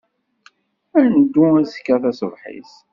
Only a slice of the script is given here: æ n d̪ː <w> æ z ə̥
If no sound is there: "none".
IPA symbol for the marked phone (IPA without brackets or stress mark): u